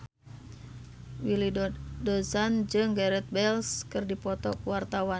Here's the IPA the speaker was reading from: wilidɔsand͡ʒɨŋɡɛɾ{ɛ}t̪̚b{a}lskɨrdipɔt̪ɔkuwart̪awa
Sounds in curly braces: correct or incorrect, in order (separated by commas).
correct, incorrect